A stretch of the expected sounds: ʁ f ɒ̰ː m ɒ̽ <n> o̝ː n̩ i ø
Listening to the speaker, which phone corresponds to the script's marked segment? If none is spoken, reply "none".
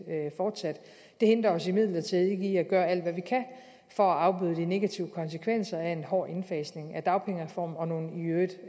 n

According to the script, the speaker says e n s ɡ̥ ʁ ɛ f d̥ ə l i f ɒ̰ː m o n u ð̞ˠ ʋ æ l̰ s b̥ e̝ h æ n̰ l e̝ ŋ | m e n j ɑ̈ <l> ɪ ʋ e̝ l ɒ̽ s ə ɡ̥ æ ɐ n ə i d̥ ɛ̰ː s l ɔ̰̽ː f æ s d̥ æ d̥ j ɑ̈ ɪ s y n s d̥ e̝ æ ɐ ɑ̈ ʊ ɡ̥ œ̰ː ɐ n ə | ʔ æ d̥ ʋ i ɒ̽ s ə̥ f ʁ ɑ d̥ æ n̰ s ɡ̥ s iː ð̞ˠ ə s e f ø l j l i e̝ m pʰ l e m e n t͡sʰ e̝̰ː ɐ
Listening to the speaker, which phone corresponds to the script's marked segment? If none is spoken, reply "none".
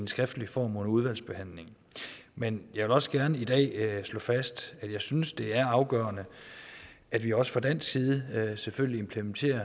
none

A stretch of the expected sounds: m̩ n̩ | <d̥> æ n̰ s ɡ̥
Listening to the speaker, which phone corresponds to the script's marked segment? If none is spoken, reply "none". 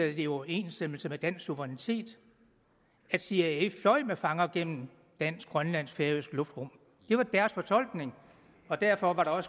d̥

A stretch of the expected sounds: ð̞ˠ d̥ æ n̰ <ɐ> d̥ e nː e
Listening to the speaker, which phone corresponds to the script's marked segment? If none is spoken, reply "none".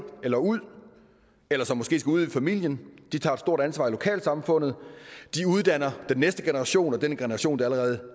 ɐ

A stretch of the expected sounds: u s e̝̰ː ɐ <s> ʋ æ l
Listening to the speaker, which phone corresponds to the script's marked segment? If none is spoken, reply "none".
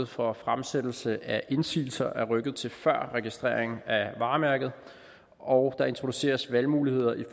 s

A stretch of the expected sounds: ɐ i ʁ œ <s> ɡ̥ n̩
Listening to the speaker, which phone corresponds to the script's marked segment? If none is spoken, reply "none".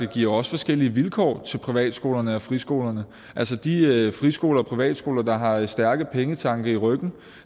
none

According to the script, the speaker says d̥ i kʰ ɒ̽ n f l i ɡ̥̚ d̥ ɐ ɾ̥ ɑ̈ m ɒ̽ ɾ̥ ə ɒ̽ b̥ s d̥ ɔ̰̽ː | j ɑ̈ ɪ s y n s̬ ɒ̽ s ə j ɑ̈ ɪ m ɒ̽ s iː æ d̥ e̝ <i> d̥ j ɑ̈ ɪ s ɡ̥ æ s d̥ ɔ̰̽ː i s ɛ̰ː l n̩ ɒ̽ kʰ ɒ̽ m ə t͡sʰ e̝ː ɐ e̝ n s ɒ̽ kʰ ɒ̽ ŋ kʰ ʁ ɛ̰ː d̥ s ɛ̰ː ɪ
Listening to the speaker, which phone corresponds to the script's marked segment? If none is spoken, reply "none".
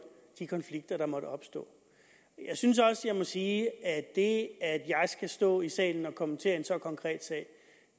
æ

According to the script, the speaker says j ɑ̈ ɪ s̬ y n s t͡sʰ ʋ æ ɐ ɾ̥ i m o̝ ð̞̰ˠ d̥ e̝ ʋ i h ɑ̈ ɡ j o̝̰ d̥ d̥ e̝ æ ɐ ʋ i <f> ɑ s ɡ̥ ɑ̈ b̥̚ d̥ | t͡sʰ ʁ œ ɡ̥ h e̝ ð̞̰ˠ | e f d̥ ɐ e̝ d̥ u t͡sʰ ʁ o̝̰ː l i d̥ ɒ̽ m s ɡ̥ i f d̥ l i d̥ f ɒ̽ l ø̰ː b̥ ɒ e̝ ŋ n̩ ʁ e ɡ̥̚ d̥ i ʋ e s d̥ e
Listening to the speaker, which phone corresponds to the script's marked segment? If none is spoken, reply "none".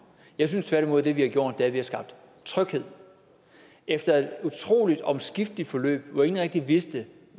h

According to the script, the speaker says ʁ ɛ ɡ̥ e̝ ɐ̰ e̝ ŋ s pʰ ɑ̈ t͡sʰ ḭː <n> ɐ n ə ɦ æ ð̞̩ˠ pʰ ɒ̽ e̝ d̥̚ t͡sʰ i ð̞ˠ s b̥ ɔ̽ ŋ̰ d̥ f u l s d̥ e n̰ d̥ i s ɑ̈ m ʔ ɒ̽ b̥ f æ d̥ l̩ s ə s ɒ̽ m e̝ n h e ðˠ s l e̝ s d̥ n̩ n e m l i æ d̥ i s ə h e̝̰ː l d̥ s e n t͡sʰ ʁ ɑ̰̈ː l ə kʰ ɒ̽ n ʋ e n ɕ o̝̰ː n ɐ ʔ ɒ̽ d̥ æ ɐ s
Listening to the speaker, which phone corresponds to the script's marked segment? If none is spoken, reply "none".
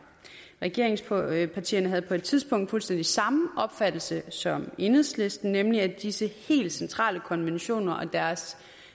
none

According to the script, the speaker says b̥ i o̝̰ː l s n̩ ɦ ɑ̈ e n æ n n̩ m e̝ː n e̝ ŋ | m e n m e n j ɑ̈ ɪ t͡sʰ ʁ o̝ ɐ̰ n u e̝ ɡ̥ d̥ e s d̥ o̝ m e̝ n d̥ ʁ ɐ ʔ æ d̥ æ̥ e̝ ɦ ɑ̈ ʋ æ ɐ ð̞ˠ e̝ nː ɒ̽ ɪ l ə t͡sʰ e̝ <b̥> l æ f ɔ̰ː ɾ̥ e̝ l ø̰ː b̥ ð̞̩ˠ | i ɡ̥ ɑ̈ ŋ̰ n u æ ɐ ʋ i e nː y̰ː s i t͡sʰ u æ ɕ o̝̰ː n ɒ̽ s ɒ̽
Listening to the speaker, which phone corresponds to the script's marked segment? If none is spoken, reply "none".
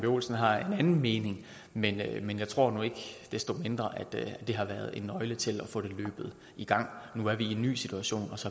none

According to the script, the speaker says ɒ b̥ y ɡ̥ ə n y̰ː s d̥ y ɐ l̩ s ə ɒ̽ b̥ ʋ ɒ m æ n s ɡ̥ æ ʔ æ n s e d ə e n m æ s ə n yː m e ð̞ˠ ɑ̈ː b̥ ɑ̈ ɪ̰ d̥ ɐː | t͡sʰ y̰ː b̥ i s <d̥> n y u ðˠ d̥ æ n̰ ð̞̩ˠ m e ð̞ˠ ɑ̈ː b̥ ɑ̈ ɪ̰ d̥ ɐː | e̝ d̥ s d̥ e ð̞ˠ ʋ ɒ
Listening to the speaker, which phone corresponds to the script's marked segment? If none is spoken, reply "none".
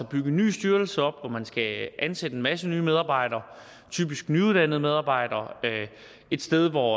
ɡ̥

